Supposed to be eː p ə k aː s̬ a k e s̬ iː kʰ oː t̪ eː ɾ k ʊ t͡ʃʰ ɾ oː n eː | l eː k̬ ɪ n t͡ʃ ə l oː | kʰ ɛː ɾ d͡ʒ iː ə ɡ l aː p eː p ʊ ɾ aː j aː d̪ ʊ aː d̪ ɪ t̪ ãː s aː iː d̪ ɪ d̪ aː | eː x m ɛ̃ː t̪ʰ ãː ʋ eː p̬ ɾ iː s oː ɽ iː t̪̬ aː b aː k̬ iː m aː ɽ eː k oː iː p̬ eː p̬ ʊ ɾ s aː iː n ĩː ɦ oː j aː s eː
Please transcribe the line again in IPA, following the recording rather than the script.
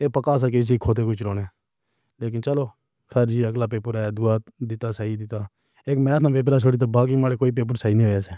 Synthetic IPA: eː p ə k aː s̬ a k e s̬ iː kʰ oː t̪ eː k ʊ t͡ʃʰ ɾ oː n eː | l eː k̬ ɪ n t͡ʃ ə l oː | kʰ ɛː ɾ d͡ʒ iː ə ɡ l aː p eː p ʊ ɾ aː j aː d̪ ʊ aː d̪ ɪ t̪ aː s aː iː d̪ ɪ t̪ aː | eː k m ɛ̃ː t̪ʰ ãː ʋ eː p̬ ɾ aː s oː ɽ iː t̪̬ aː b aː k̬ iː m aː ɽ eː k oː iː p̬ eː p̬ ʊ ɾ s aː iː n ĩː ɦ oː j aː s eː